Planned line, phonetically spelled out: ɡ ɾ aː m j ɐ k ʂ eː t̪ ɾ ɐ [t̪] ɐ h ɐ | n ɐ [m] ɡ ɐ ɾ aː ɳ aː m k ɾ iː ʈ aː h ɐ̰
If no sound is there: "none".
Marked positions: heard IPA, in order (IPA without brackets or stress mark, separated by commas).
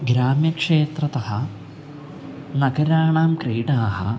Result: t̪, none